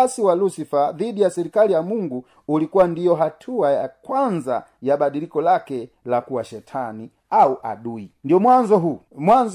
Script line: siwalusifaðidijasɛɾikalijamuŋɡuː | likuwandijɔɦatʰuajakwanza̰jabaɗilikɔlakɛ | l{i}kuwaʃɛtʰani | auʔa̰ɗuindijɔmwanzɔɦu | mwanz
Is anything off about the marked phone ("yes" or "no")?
yes